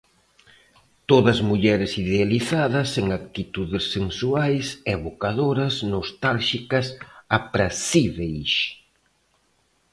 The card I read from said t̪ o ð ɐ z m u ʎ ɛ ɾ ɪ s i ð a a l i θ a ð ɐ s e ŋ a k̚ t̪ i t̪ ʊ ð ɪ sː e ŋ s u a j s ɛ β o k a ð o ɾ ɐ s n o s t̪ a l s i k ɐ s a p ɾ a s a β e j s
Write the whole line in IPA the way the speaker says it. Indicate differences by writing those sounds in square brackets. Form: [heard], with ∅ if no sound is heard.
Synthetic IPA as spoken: t̪ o ð ɐ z m u ʎ ɛ ɾ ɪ s i ð [e] a l i θ a ð ɐ s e ŋ a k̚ t̪ i t̪ [u] ð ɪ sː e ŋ s u a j s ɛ β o k a ð o ɾ ɐ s n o s t̪ a l [ʃ] i k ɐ s a p ɾ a s [i] β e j [ʃ]